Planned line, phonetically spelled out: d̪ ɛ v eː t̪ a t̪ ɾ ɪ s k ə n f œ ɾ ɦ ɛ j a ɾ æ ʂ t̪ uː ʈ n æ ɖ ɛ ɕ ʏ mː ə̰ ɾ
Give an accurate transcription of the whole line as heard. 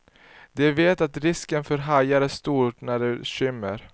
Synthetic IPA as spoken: d̪ ɛ v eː t̪ a t̪ ɾ ɪ s k ə n f œ ɾ ɦ a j a ɾ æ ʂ t̪ uː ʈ n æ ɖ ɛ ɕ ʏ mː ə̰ ɾ